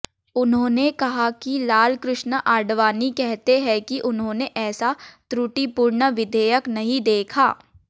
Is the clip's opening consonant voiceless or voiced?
voiced